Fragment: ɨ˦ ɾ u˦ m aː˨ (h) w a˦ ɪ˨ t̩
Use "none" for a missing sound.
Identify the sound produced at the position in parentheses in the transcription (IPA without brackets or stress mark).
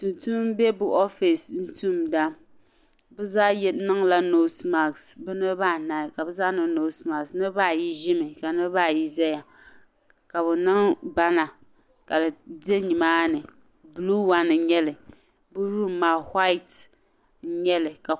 h